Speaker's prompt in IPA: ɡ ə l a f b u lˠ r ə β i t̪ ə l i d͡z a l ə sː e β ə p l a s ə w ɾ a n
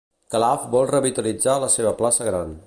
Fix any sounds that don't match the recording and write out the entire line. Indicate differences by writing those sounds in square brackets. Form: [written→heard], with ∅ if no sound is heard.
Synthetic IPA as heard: [ɡ→k] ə l a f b [u→ɔ] lˠ r ə β i t̪ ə l i d͡z a l ə [sː→s] e β ə p l a s ə [w→ɣ] ɾ a n